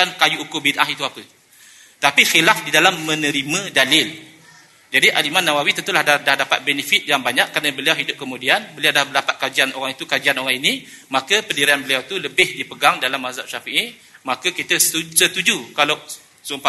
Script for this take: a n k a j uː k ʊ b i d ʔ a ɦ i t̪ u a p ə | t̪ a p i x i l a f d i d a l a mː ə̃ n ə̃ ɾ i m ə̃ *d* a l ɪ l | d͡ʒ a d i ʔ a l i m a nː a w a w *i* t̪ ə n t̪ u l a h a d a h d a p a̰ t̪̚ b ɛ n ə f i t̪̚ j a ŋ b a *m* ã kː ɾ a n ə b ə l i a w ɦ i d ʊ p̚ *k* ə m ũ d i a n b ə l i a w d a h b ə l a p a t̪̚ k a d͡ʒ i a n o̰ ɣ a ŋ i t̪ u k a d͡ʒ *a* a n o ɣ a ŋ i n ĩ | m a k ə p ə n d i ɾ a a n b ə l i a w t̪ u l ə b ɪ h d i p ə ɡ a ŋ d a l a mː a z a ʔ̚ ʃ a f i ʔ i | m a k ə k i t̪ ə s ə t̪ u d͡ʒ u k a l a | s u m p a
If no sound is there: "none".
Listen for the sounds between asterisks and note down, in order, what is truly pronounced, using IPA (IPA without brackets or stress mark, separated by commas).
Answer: d, i, ɲ, k, i